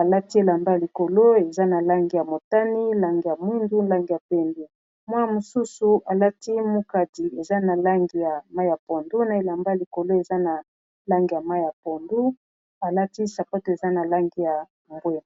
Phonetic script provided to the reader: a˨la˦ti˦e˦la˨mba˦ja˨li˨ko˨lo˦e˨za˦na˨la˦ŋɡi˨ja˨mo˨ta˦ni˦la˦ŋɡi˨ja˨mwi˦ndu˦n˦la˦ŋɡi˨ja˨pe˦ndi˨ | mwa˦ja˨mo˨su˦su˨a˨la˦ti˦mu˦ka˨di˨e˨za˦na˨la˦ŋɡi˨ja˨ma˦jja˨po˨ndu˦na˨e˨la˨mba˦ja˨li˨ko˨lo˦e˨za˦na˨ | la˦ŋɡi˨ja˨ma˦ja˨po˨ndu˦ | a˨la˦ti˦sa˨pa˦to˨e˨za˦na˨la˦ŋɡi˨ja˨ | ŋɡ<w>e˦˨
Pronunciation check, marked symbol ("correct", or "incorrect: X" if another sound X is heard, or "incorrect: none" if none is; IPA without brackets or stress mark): correct